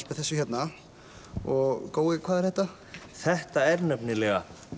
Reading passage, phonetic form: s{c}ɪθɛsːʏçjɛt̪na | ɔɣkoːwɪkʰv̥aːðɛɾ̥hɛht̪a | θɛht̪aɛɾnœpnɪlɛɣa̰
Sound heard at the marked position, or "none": p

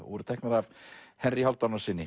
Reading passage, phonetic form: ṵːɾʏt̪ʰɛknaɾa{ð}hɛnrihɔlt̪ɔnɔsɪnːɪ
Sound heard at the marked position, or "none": v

